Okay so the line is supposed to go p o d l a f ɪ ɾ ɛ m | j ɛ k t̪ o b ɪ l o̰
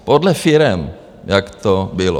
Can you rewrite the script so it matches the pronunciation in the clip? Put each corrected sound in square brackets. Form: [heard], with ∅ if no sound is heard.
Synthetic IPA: p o d l [ɛ] f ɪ ɾ ɛ m | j [a] k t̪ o b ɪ l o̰

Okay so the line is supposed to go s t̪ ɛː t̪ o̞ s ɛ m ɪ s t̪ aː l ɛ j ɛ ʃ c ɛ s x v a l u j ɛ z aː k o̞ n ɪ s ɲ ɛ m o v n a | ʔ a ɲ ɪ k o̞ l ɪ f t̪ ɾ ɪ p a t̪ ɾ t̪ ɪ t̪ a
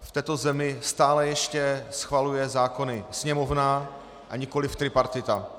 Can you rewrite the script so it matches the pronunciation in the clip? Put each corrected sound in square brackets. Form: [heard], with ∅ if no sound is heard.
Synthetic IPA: [f] t̪ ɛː t̪ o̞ [z] ɛ m ɪ s t̪ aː l ɛ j ɛ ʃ c ɛ s x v a l u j ɛ z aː k o̞ n ɪ s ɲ ɛ m o v n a | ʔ a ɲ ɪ k o̞ l ɪ f t̪ ɾ ɪ p a [∅] ɾ t̪ ɪ t̪ a

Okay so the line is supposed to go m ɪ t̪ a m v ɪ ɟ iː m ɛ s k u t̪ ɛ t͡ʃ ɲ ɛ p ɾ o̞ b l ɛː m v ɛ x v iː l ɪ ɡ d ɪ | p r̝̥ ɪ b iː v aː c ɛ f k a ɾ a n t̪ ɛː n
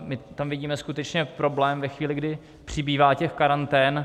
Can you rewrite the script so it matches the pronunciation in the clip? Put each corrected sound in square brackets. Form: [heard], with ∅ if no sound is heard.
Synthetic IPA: m ɪ t̪ a m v ɪ ɟ iː m ɛ s k u t̪ ɛ t͡ʃ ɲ ɛ p ɾ o̞ b l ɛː m v ɛ x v iː l ɪ ɡ d ɪ | p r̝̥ ɪ b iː v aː c ɛ [x] k a ɾ a n t̪ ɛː n

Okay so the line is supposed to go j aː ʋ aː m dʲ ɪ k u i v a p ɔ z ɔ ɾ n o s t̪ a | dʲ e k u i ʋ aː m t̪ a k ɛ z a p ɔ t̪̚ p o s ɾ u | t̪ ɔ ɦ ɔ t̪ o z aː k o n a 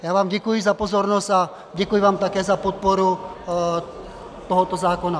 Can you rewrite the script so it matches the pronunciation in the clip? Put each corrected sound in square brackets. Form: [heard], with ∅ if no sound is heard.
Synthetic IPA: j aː ʋ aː m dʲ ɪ k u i [z] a p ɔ z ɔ ɾ n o s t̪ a | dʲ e k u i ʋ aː m t̪ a k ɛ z a p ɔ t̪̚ p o [∅] ɾ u | t̪ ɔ ɦ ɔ t̪ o z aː k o n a

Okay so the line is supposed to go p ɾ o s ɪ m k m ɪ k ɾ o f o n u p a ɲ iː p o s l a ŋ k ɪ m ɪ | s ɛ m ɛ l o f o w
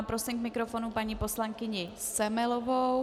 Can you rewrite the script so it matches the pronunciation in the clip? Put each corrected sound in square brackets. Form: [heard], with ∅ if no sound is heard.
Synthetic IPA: p ɾ o s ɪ m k m ɪ k ɾ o f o n u p a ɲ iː p o s l a ŋ k ɪ [ɲ] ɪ | s ɛ m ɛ l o [v] o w

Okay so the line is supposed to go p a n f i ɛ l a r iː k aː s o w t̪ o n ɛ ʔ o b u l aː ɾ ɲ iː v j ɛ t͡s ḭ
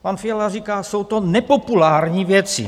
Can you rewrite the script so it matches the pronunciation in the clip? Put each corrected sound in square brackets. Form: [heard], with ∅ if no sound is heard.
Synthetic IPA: p a n f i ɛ l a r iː k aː s o w t̪ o n ɛ [p] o [p] u l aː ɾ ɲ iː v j ɛ t͡s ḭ

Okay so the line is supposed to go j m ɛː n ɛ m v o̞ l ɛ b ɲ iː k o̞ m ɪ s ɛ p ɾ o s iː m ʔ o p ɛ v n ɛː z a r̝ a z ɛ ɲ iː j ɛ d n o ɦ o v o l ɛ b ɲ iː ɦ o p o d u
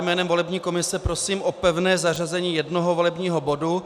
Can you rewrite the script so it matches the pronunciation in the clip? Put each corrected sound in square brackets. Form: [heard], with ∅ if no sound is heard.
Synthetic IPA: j m ɛː n ɛ m v o̞ l ɛ b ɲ iː k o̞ m ɪ s ɛ p ɾ o s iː m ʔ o p ɛ v n ɛː z a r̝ a z ɛ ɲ iː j ɛ d n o ɦ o v o l ɛ b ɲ iː ɦ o [b] o d u

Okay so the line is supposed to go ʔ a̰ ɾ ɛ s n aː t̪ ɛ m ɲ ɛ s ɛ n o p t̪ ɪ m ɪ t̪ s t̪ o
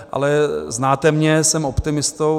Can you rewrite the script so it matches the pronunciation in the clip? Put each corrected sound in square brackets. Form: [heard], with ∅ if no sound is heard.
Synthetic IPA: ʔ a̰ [l] ɛ [z] n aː t̪ ɛ m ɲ ɛ s ɛ [m] o p t̪ ɪ m ɪ [∅] s t̪ o

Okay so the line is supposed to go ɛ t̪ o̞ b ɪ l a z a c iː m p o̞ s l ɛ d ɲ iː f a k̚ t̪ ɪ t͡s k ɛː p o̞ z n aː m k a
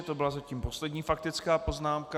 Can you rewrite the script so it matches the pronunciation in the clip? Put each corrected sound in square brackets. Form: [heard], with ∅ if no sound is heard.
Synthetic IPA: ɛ t̪ o̞ b ɪ l a z a c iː m p o̞ s l ɛ d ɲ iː f a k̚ t̪ ɪ t͡s k [aː] p o̞ z n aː m k a

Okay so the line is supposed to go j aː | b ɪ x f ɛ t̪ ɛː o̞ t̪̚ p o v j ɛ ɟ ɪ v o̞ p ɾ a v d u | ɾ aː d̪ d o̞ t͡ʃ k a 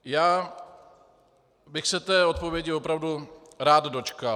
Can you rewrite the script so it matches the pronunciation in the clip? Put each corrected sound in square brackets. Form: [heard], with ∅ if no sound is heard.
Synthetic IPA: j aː | b ɪ x [s] ɛ t̪ ɛː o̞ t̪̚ p o v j ɛ ɟ ɪ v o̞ p ɾ a v d u | ɾ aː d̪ d o̞ t͡ʃ k a

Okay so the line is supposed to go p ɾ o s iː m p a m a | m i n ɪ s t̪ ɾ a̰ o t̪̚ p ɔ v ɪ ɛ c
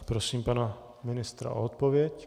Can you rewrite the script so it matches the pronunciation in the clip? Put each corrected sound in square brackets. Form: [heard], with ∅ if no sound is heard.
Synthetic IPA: p ɾ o s iː m p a [n] a | m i n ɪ s t̪ ɾ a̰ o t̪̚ p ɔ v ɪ ɛ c

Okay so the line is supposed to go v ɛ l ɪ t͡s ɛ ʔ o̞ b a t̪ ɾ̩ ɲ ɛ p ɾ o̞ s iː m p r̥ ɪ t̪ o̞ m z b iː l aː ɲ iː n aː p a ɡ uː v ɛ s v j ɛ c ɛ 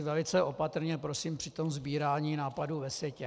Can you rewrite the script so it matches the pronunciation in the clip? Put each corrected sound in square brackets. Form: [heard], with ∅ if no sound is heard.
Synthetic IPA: v ɛ l ɪ t͡s ɛ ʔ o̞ [p] a t̪ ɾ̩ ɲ ɛ p ɾ o̞ s iː m p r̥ ɪ t̪ o̞ m z b iː [ɾ] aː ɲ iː n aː p a [d] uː v ɛ s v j ɛ c ɛ

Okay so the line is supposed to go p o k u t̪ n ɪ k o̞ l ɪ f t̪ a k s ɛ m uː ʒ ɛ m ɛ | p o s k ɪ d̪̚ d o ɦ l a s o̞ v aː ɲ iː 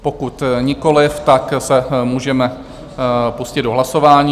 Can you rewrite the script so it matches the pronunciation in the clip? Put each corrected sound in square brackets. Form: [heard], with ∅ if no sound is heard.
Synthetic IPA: p o k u t̪ [ɲ] ɪ k o̞ l ɪ f t̪ a k s ɛ m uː ʒ ɛ m ɛ | p [u] s [c] ɪ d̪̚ d o ɦ l a s o̞ v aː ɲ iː

